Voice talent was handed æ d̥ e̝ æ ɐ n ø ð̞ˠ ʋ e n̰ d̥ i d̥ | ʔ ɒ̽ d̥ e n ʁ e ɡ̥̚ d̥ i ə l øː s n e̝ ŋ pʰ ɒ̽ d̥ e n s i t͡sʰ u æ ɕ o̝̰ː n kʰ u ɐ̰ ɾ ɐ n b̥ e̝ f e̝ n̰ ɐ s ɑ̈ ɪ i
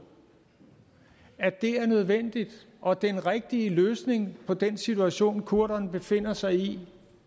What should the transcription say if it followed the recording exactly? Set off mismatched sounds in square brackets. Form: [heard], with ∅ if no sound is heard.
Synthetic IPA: æ d̥ e̝ æ ɐ n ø ð̞ˠ ʋ e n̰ d̥ i d̥ | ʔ ɒ̽ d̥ e n ʁ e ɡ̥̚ d̥ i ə l øː s n e̝ ŋ pʰ ɒ̽ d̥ e n s i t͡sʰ u æ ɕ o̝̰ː n kʰ u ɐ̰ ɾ ɐ n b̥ e̝ f e̝ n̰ ɐ s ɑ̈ ɪ i